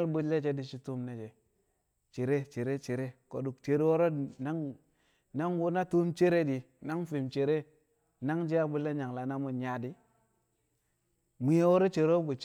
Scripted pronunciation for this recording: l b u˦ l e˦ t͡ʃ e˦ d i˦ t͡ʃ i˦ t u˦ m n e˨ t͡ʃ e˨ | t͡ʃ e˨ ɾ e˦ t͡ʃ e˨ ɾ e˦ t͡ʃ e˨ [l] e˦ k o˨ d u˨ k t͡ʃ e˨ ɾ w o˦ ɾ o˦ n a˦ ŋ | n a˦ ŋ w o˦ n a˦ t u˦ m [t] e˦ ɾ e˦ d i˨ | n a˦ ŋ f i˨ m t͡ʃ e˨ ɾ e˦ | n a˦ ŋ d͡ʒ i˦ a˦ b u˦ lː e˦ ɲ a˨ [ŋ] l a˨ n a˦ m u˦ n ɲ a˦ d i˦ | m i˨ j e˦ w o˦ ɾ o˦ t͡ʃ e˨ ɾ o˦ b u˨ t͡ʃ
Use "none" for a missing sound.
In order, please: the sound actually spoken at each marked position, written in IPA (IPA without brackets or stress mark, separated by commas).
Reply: ɾ, t͡ʃ, ŋ